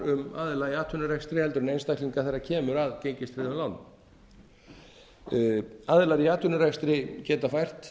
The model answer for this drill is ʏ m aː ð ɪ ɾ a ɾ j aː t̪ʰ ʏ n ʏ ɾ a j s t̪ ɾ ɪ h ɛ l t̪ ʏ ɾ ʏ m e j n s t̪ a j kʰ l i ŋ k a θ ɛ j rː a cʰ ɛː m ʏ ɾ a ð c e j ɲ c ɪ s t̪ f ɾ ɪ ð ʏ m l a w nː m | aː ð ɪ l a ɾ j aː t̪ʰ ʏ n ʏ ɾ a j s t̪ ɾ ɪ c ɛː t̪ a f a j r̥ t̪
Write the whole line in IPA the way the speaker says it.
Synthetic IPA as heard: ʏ m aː ð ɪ l a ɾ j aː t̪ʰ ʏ n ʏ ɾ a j s t̪ ɾ ɪ h ɛ l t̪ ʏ ɾ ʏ n e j n s t̪ a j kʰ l i ŋ k a θ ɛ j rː a cʰ ɛː m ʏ ɾ a ð c e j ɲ c ɪ s t̪ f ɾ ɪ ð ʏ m l a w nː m | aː ð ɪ l a ɾ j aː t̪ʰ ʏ n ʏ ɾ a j s t̪ ɾ ɪ c ɛː t̪ a f a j r̥ t̪